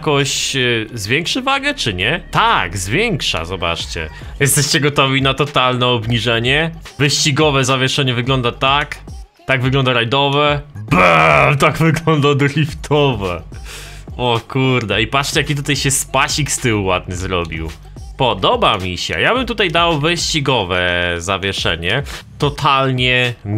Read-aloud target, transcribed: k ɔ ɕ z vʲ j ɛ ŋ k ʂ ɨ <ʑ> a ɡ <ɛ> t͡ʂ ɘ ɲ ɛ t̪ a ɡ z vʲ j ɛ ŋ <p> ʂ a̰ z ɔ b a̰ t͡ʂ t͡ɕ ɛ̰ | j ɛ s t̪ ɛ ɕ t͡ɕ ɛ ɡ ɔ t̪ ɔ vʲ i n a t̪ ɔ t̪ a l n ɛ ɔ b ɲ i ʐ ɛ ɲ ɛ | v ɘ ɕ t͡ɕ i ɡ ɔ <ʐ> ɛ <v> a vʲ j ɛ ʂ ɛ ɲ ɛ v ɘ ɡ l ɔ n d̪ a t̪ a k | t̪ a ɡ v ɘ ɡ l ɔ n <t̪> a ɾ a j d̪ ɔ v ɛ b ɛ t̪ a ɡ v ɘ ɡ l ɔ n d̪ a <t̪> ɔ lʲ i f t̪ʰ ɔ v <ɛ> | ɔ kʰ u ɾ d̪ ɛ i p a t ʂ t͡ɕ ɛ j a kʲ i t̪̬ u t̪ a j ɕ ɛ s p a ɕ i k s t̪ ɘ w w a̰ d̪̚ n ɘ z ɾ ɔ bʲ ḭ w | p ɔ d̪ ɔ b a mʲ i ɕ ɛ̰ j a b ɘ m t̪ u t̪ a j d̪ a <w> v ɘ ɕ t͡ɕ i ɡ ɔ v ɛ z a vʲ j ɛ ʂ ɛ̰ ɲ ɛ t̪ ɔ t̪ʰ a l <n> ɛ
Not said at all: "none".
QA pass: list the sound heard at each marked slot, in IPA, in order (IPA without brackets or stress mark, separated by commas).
v, ɛ, k, v, z, d̪, d̪, ɛ, w, ɲ